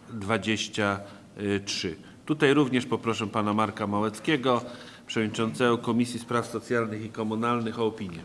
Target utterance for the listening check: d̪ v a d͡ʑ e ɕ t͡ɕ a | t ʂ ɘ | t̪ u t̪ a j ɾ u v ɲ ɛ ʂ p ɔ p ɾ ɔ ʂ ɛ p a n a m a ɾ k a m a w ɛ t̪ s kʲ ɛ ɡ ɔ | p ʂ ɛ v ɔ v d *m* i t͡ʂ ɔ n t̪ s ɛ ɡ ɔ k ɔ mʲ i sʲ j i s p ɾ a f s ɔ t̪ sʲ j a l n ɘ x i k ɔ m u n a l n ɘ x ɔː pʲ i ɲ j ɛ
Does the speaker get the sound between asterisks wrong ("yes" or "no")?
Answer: yes